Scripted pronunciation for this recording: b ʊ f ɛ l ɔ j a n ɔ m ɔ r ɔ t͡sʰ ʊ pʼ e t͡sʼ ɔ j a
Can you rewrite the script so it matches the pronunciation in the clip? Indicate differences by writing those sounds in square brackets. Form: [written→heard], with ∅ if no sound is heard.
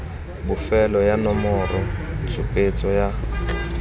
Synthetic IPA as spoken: b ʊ f ɛ l ɔ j a n ɔ m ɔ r ɔ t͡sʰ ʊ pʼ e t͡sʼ ɔ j a